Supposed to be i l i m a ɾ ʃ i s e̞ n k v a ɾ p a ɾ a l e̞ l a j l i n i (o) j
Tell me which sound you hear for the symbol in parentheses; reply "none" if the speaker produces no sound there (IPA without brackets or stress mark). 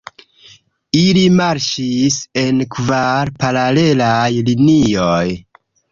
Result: o